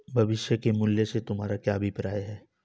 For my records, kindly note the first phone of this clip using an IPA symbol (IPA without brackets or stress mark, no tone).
bʱ